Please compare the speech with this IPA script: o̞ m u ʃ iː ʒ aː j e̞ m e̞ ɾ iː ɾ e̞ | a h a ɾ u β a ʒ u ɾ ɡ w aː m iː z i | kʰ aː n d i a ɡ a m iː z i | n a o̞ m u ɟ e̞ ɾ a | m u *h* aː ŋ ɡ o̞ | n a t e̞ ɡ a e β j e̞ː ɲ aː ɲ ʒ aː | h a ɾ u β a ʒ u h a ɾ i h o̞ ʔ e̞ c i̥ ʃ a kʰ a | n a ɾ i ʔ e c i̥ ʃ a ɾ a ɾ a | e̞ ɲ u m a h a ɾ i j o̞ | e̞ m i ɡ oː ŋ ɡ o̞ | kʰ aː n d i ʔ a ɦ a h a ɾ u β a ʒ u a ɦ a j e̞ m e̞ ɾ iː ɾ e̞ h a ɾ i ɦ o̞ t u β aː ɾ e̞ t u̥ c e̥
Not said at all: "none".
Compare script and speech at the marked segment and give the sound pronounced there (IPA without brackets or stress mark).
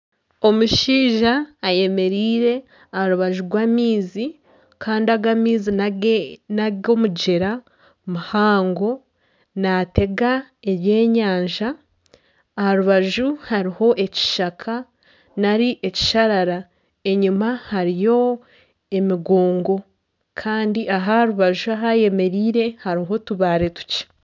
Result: h